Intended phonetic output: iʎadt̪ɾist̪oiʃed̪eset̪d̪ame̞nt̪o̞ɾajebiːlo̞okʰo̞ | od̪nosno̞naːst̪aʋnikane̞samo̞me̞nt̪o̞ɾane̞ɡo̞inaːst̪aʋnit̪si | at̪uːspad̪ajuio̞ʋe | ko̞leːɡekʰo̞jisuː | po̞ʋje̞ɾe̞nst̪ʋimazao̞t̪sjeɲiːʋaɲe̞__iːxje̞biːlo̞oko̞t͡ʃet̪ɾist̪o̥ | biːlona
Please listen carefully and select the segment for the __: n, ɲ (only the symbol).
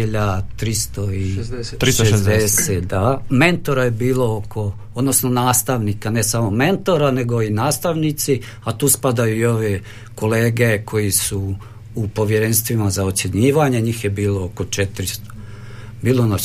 ɲ